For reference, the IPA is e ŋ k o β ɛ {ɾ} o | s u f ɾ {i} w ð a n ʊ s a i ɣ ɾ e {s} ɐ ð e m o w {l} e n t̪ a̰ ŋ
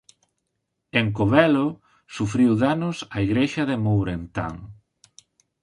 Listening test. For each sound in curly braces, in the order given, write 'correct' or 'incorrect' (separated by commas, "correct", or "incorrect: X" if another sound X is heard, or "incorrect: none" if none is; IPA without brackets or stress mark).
incorrect: l, correct, incorrect: ʃ, incorrect: ɾ